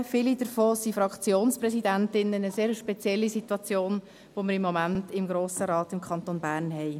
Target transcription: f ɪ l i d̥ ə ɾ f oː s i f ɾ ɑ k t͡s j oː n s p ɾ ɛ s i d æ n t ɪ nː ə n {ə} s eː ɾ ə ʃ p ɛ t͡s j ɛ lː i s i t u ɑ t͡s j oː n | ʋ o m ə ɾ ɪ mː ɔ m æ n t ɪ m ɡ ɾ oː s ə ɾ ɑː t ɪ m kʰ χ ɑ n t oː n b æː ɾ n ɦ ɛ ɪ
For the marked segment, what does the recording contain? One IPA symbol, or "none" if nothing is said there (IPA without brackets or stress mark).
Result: ə